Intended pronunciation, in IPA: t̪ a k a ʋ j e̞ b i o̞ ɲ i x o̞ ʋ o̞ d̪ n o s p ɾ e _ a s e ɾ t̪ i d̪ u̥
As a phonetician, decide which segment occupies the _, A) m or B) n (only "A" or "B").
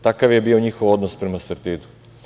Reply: A